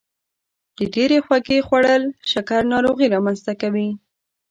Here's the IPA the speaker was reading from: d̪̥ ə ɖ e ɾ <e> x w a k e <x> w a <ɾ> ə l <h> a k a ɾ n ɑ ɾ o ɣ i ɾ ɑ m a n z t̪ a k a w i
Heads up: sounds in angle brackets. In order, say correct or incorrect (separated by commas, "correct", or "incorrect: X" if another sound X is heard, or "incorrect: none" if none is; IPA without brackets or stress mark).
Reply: correct, correct, incorrect: ɽ, incorrect: ʃ